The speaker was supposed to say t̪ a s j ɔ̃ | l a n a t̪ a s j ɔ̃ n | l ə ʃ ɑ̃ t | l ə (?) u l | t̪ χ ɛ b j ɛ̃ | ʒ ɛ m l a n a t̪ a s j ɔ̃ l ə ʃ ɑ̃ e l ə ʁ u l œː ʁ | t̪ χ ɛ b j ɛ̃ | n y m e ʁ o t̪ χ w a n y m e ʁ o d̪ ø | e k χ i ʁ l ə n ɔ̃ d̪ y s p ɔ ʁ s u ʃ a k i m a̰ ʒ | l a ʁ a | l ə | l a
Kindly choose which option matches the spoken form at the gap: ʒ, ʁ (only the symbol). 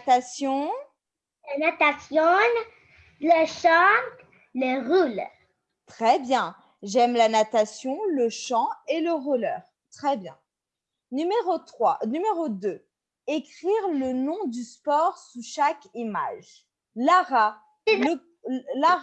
ʁ